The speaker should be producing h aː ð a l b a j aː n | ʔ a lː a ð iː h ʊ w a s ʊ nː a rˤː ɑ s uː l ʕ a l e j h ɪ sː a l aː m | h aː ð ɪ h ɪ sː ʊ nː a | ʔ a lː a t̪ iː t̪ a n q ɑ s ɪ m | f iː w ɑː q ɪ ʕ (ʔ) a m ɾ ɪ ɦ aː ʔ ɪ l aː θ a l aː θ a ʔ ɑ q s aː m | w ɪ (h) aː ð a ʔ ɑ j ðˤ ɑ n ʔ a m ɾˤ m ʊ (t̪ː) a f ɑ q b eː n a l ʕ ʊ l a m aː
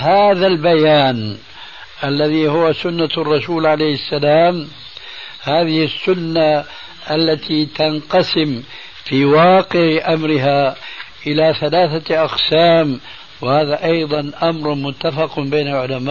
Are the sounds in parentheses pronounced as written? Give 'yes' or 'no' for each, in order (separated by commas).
yes, yes, yes